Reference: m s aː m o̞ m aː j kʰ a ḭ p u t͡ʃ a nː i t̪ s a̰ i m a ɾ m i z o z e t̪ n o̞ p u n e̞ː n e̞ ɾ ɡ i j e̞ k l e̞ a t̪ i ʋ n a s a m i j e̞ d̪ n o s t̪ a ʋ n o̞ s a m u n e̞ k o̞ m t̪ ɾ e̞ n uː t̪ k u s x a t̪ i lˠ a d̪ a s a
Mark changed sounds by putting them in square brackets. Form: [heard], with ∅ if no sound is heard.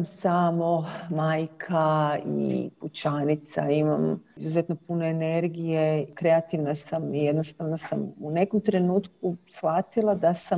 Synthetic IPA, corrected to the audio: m s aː m o̞ m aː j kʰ a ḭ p u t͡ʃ a [n] i t̪ s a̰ i m a [∅] m i z [u] z e t̪ n o̞ p u n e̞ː n e̞ ɾ ɡ i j e̞ k [ɾ] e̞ a t̪ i ʋ n a s a m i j e̞ d̪ n o s t̪ a ʋ n o̞ s a m u n e̞ k o̞ m t̪ ɾ e̞ n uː t̪ k u s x a t̪ i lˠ a d̪ a s a